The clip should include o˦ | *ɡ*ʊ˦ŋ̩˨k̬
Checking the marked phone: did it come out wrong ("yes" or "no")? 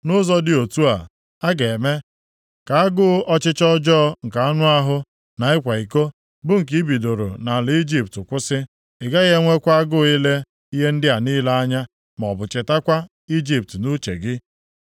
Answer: yes